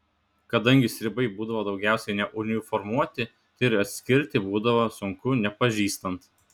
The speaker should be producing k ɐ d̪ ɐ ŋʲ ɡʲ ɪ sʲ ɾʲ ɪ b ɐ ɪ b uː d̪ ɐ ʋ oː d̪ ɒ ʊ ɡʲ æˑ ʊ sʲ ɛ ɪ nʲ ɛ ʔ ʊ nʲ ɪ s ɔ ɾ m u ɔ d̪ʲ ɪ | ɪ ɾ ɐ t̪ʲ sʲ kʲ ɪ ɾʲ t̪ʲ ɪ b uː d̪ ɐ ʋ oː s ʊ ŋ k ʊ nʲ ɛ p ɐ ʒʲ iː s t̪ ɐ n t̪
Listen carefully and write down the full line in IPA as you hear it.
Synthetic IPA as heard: k ɐ d̪ ɐ ŋʲ ɡʲ ɪ sʲ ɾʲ ɪ b ɐ ɪ b uː d̪ ɐ ʋ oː d̪ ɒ ʊ ɡʲ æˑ ʊ sʲ ɛ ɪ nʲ ɛ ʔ ʊ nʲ ɪ f ɔ ɾ m u ɔ t̪ʲ ɪ | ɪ ɾ ɐ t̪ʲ sʲ kʲ ɪ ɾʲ t̪ʲ ɪ b uː d̪ ɐ ʋ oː s ʊ ŋ k ʊ nʲ ɛ p ɐ ʒʲ iː s t̪ ɐ n t̪